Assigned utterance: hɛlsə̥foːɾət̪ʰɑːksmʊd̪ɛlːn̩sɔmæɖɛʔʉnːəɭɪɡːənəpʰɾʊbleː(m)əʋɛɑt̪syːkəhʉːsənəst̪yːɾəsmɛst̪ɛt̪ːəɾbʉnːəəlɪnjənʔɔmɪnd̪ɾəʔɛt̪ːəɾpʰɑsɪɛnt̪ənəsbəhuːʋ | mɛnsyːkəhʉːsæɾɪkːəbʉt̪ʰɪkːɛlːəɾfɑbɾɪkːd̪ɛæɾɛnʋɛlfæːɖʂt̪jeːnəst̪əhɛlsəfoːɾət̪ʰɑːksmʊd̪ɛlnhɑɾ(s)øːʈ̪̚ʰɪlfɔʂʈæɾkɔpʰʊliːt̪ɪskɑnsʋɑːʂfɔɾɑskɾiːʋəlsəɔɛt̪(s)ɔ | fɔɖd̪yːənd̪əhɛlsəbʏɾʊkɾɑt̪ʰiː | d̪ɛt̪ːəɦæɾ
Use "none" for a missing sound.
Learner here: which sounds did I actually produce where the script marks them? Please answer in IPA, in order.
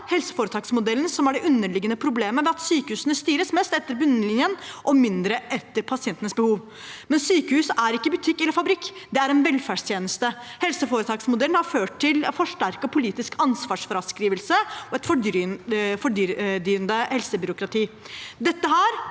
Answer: m, f, f

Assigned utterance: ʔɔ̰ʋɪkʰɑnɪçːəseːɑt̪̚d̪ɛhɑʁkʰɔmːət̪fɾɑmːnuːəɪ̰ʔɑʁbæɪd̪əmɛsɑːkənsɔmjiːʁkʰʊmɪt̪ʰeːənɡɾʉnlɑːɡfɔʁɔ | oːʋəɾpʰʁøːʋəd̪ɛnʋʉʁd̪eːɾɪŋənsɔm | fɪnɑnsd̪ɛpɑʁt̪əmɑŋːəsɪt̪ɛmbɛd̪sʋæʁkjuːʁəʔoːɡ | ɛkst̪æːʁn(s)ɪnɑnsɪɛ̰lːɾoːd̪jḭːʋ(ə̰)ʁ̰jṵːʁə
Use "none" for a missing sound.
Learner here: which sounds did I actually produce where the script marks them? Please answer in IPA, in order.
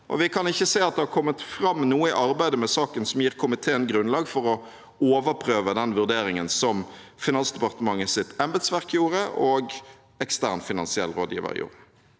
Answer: f, ə̰

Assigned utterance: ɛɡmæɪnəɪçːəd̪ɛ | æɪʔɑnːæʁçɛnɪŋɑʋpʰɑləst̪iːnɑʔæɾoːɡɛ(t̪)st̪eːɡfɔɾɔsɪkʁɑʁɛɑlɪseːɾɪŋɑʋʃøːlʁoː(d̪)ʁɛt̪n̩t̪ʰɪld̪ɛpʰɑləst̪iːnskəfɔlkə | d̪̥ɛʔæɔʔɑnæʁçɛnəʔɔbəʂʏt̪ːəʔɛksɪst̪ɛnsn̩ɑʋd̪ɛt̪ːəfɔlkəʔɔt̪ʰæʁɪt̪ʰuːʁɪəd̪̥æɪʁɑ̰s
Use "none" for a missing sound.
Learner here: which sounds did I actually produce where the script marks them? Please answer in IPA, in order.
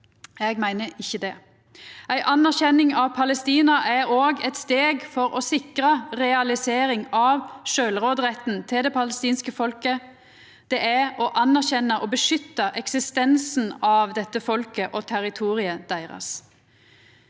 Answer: t̪, d̪

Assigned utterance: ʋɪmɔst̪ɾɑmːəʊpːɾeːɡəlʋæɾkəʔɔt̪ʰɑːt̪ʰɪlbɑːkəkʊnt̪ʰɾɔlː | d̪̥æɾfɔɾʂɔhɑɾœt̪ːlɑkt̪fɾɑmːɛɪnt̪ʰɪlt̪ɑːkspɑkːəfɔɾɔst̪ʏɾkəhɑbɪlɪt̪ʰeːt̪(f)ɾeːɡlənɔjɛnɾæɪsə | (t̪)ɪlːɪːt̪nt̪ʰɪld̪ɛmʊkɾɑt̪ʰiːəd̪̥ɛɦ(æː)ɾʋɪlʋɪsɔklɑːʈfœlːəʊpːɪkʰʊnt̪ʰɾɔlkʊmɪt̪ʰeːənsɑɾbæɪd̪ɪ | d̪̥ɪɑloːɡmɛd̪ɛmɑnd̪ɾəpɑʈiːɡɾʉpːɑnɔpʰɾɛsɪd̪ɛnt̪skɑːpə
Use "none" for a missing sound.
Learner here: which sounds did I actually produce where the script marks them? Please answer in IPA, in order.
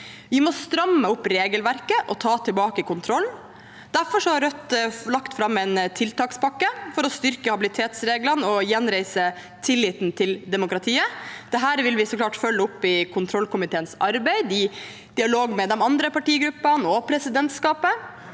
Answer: s, t̪ʰ, æː

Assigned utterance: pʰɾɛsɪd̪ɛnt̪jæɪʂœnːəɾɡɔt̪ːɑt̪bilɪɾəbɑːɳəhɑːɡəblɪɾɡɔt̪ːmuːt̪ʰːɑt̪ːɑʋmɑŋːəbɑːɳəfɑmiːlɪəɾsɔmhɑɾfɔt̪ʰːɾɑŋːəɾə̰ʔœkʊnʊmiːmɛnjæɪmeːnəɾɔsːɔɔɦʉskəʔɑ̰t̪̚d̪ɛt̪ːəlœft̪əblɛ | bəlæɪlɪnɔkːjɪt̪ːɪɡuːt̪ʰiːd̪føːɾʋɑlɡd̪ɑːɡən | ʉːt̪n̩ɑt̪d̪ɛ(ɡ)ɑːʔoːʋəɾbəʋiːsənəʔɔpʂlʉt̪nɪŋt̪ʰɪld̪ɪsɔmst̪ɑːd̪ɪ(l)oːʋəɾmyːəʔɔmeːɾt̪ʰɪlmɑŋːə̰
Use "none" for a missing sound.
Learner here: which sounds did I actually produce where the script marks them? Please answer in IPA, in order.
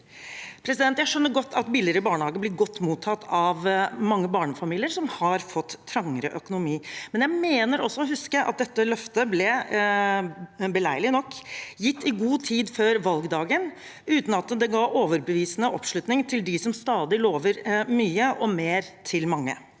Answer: ɡ, l

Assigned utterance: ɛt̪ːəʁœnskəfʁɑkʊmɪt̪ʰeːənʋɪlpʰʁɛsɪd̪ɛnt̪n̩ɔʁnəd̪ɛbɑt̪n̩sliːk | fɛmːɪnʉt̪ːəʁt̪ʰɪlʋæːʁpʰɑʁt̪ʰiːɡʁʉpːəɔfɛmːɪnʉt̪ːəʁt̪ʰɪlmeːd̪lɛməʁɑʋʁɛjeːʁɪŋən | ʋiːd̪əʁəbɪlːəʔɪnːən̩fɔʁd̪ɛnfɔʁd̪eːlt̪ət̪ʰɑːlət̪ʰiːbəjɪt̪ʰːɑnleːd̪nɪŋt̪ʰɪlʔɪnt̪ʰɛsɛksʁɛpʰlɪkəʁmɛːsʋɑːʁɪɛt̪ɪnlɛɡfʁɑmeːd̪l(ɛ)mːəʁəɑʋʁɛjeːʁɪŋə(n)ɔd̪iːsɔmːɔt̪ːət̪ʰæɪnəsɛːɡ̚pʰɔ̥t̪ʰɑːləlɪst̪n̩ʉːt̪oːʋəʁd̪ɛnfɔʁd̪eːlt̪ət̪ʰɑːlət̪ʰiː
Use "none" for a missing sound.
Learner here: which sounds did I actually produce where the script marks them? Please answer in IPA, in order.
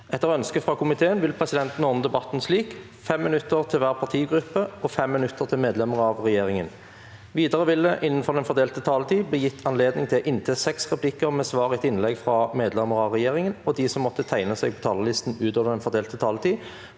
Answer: ɛ, n

